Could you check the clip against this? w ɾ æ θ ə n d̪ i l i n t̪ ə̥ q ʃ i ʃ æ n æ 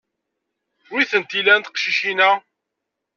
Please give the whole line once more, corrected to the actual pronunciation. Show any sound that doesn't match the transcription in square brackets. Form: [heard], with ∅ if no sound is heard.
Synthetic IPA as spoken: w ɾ [i] θ ə n [t̪] i l [æ] n t̪ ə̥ q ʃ i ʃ [i] n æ